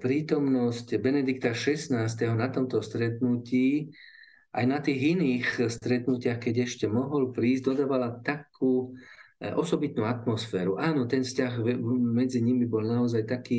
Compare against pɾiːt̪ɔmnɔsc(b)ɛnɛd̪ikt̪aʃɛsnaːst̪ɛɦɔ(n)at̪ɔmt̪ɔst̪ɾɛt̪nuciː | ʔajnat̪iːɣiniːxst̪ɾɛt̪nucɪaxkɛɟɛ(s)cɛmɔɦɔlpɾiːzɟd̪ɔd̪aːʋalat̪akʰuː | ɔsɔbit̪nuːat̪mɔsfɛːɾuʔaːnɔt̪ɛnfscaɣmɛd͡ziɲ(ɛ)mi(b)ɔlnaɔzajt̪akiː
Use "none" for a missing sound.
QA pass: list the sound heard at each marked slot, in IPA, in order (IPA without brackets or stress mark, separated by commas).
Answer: b, n, ʃ, i, b